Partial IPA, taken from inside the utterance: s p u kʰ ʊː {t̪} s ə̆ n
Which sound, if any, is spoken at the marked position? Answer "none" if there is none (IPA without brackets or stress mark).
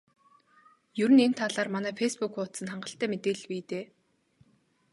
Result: t̪